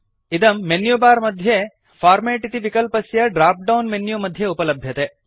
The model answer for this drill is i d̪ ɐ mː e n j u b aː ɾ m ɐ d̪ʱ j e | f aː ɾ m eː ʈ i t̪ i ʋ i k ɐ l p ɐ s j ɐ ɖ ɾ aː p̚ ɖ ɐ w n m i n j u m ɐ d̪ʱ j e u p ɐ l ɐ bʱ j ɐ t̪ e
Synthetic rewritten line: i d̪ ɐ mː e n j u b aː ɾ m ɐ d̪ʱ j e | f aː ɾ m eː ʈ i t̪ i ʋ i k ɐ l p ɐ s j ɐ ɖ ɾ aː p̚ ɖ ɐ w n m e n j u m ɐ d̪ʱ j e u p ɐ l ɐ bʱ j ɐ t̪ e